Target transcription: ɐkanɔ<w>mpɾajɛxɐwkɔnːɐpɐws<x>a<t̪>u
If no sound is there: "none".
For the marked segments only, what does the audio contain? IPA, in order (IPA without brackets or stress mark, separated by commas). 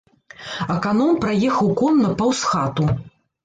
none, x, t̪